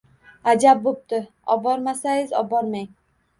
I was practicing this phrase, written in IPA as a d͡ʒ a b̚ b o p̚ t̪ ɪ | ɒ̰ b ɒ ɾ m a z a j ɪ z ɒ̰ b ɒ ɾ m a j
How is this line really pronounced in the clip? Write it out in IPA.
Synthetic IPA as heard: a d͡ʒ a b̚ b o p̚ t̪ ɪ | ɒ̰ b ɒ ɾ m a s a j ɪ z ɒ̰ b ɒ ɾ m a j